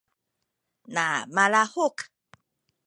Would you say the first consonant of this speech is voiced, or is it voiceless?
voiced